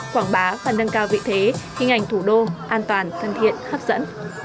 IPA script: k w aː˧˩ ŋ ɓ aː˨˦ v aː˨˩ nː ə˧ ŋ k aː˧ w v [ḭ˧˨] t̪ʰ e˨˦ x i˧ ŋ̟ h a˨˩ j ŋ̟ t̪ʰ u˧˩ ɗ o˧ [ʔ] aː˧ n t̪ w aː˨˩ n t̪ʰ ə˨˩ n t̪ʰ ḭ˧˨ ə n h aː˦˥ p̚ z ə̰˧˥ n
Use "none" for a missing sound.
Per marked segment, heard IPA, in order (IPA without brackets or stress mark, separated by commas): ḭ˧˨, ʔ